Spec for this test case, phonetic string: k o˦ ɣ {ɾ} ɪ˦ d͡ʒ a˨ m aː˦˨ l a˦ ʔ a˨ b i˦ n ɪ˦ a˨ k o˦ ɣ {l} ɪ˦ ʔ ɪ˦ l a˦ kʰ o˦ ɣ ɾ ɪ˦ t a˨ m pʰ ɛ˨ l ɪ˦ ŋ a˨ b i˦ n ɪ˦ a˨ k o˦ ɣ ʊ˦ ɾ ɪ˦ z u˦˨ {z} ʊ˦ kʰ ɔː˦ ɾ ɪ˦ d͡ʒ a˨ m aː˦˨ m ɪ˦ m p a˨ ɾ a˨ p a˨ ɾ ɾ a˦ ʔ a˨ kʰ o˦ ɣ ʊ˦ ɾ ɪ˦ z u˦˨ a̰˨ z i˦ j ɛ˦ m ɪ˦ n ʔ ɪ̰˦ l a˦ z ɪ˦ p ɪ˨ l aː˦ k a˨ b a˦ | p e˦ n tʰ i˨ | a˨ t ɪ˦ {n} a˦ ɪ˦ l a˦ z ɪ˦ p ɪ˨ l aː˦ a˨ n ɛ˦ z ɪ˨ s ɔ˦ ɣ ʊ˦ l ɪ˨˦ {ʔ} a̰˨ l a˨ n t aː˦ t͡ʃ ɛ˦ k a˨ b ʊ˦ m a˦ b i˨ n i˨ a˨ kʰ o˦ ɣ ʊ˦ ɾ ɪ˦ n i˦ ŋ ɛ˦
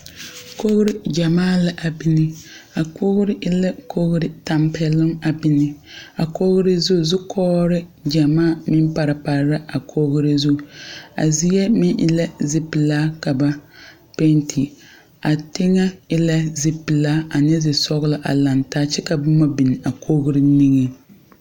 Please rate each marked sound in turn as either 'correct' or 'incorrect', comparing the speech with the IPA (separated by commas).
correct, incorrect, correct, incorrect, correct